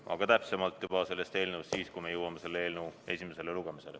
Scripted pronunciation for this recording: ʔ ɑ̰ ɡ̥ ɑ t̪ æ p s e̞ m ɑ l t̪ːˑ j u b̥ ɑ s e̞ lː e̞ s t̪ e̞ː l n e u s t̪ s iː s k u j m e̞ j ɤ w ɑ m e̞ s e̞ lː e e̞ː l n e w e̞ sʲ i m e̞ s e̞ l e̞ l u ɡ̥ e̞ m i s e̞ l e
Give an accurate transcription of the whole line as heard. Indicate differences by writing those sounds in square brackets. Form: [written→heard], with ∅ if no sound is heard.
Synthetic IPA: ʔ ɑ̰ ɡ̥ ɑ t̪ æ p s e̞ m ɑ l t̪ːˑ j u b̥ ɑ s e̞ lː e̞ s t̪ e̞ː l n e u s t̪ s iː s k u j m e̞ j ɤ w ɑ m e̞ s e̞ lː e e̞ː l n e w e̞ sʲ i m e̞ s e̞ l e̞ l u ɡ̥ e̞ m i s e̞ l e